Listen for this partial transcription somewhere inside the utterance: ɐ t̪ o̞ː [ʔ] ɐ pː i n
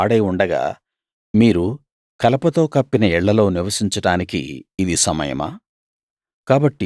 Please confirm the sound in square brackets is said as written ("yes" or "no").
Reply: no